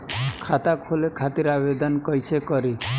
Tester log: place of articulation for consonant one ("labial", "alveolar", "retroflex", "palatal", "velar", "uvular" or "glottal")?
velar